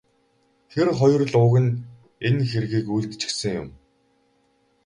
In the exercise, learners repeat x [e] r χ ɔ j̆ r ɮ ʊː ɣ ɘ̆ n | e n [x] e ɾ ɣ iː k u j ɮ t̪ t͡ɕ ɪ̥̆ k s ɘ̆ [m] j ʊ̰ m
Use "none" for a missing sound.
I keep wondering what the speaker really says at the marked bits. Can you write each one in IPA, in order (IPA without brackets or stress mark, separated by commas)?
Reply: e, x, ŋ